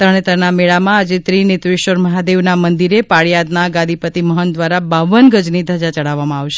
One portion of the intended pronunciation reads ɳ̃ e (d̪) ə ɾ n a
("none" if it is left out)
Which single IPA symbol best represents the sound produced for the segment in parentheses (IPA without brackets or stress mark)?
t̪